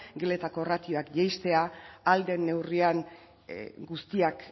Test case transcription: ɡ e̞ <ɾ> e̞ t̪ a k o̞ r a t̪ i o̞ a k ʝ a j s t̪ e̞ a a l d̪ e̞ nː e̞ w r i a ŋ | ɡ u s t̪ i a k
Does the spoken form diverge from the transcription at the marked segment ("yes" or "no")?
yes